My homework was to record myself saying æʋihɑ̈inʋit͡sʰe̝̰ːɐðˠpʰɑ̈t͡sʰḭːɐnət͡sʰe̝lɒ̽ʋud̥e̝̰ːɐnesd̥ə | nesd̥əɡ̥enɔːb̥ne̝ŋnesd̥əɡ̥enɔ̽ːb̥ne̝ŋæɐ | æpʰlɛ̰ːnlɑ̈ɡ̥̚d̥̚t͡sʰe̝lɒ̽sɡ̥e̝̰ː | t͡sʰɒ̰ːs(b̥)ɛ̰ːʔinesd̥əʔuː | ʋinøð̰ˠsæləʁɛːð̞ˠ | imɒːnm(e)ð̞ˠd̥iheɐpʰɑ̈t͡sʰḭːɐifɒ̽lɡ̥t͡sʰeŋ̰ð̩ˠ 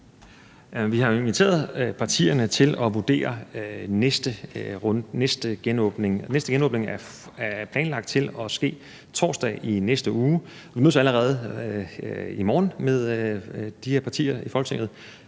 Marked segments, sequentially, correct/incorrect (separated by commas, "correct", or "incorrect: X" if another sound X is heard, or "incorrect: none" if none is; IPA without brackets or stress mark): incorrect: d̥, correct